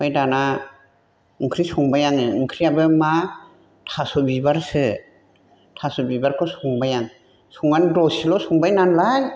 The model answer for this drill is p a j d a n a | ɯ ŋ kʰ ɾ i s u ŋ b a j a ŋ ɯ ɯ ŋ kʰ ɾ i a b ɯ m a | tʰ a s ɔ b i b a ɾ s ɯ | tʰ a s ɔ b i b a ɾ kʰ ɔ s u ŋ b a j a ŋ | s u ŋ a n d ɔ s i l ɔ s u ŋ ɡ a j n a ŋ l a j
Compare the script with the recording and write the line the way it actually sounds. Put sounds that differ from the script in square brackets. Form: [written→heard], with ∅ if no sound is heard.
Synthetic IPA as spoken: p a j d a n a | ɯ ŋ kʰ ɾ i s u ŋ b a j a ŋ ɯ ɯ ŋ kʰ ɾ i a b ɯ m a | tʰ a s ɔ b i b a ɾ s ɯ | tʰ a s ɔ b i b a ɾ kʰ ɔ s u ŋ b a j a ŋ | s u ŋ a n d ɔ s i l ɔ s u ŋ [ɡ→b] a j n a [ŋ→n] l a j